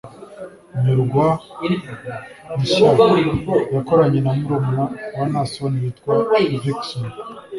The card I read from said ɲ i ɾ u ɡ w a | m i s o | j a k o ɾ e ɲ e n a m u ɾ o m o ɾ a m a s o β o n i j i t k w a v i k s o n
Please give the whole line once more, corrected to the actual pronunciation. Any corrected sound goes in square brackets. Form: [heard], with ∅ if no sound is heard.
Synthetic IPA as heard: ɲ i ɾ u ɡ w a | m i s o | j a k o ɾ [a] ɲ e n a m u ɾ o m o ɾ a [n] a s o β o n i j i t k w a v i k s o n